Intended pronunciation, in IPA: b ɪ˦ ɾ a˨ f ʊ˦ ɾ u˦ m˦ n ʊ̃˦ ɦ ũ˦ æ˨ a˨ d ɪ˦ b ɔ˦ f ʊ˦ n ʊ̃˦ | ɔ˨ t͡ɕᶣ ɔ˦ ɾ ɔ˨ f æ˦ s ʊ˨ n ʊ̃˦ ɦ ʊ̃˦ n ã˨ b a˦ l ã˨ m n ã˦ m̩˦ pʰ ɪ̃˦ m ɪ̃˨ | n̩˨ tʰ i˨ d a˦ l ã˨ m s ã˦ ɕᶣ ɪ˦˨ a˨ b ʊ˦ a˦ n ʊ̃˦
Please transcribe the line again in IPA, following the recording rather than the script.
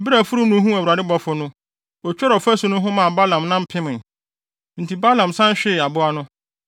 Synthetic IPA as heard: b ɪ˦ ɾ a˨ f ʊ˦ ɾ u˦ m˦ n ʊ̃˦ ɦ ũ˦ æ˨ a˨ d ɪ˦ b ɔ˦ f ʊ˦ n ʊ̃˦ | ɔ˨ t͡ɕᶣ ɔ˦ ɾ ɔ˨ f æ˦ s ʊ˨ n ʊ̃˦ ɦ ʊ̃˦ m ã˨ b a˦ l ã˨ m n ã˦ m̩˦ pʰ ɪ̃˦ m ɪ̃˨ | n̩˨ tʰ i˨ b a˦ l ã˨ m s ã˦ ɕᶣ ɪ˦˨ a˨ b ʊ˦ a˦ n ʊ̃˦

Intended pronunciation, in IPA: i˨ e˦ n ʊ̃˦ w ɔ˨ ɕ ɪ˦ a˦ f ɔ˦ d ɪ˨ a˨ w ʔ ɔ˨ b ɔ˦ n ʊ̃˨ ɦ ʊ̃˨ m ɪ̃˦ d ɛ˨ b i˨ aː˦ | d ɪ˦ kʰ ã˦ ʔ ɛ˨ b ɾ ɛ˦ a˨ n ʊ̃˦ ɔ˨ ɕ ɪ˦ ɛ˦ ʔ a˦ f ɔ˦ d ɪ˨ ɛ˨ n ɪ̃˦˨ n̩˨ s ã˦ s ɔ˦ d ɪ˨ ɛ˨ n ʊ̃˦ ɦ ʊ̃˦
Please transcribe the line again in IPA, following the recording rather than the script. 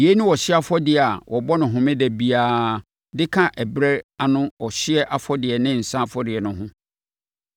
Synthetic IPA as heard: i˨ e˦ n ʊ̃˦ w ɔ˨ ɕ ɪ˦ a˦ f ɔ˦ d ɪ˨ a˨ w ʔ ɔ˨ b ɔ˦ n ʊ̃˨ ɦ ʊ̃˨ m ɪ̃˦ d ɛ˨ b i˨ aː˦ | d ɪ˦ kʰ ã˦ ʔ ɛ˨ b ɾ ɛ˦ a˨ n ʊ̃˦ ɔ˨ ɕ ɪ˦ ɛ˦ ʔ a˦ f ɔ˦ d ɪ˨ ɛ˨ n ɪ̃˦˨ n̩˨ s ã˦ f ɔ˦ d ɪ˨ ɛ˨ n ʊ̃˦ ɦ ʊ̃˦

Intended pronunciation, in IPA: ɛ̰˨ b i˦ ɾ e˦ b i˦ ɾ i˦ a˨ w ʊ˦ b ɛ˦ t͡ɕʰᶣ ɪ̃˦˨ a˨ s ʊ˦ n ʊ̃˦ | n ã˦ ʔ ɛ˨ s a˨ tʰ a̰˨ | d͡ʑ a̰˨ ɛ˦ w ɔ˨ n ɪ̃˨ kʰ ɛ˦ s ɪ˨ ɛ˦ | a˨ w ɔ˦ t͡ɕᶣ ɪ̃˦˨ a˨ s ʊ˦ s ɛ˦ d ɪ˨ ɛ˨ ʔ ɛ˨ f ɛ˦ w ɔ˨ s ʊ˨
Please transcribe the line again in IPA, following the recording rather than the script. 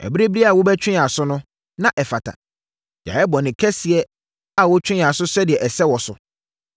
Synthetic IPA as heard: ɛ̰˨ b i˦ ɾ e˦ b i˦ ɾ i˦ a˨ w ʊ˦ b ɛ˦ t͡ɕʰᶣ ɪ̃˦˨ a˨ s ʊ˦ n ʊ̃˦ | n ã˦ ʔ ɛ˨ f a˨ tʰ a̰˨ | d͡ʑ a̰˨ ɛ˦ b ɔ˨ n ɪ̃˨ kʰ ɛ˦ s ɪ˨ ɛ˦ | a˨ w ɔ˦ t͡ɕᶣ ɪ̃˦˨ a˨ s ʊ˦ s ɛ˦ d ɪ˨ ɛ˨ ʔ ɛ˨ s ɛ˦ w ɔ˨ s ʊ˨

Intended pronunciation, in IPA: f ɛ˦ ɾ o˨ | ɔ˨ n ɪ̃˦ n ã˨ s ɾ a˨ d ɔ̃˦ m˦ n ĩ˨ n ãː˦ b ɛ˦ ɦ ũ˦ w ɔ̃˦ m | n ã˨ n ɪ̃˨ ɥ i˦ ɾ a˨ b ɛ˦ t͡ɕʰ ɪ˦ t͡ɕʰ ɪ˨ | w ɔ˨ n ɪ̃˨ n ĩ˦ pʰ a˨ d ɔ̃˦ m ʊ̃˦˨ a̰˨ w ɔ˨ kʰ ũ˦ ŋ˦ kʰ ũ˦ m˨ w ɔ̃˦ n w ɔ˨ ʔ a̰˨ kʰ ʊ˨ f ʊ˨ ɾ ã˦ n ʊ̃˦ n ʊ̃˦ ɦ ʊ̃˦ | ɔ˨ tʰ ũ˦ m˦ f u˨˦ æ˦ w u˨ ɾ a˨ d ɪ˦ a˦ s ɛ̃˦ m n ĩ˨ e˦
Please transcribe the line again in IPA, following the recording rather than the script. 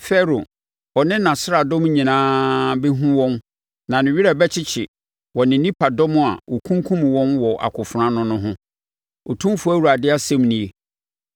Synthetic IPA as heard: f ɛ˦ ɾ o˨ | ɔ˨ n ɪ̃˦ n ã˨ s ɾ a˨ d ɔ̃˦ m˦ ɲ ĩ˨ n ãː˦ b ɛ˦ ɦ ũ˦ w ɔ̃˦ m | n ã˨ n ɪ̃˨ ɥ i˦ ɾ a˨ b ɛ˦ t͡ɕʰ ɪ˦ t͡ɕʰ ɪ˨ | w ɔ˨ n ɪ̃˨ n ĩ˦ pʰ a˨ d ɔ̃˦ m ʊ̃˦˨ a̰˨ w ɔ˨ kʰ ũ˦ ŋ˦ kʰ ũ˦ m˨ w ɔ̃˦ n w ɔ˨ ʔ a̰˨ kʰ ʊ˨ f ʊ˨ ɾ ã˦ n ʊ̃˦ n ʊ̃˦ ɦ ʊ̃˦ | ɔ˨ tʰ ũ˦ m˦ f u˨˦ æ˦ w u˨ ɾ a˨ d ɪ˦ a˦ s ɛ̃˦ m n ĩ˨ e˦

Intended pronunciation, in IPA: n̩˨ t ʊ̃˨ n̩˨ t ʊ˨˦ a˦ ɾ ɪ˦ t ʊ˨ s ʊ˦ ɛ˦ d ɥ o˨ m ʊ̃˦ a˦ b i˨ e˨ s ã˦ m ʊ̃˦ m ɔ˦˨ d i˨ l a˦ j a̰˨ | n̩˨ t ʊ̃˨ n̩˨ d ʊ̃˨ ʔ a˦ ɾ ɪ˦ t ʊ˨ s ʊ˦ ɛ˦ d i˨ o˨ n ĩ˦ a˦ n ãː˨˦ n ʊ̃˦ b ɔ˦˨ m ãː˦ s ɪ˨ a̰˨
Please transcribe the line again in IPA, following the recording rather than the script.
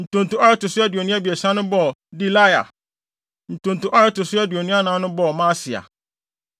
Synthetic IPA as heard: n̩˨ t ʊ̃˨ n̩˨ t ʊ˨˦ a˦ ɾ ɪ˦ t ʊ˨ s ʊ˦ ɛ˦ d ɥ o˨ n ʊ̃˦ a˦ b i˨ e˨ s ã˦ n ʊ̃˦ b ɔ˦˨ d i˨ l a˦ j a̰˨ | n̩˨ t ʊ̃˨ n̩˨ t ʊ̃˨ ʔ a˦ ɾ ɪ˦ t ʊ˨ s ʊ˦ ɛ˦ d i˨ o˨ n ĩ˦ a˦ n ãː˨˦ n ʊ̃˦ b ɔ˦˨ m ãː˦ s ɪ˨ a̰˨

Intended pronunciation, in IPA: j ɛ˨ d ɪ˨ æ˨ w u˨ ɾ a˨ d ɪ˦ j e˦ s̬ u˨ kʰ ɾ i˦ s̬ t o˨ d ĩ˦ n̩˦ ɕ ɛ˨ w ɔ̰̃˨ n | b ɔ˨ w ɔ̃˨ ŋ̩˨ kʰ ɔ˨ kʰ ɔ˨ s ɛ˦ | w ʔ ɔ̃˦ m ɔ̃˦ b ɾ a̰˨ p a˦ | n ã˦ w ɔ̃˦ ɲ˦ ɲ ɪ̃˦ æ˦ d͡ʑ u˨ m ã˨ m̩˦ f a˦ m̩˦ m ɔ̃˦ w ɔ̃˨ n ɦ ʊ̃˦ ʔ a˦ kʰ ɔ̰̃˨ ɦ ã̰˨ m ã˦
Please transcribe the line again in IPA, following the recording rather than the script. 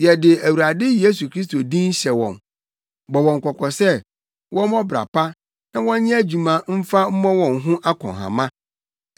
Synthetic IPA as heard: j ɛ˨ d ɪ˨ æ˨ w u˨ ɾ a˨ d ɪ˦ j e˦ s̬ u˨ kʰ ɾ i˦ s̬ t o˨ d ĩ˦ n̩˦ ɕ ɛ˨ w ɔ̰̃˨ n | b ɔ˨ w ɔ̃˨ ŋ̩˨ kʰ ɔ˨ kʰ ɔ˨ s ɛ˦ | w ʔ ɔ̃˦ m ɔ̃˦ b ɾ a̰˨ p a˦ | n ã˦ w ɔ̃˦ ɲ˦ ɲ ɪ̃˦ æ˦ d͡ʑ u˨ m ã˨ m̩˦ f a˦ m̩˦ m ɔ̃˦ w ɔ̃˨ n ɦ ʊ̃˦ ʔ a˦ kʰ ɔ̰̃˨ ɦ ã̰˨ m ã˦

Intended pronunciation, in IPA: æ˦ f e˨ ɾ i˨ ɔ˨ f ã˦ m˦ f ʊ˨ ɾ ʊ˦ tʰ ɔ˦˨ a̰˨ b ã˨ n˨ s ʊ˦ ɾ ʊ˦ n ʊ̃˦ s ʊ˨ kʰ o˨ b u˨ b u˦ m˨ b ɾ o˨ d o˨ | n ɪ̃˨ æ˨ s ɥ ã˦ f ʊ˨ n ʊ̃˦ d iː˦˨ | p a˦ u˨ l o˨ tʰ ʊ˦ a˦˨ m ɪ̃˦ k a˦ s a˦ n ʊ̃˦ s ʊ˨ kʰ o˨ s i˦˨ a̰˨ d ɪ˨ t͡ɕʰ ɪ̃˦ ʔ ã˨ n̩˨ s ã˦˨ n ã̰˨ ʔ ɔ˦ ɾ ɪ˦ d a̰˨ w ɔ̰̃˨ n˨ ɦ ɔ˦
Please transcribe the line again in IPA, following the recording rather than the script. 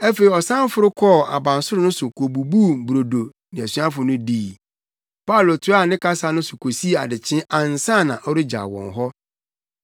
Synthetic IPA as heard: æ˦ f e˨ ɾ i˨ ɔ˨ s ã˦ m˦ f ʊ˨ ɾ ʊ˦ kʰ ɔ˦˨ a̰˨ b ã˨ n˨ s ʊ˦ ɾ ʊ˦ n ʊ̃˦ s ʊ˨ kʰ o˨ b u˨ b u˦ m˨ b ɾ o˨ d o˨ | n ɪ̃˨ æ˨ s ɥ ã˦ f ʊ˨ n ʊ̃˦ d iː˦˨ | p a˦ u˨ l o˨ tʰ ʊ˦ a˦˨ n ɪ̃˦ k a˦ s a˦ n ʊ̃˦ s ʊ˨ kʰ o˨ s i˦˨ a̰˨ d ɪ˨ t͡ɕʰ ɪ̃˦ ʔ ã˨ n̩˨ s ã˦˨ n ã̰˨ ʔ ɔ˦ ɾ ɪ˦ d͡ʑ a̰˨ w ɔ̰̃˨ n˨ ɦ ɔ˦

